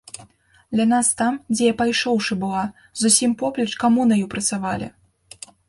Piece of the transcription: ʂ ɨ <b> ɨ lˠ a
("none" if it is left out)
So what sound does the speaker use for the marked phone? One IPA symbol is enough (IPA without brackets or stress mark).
b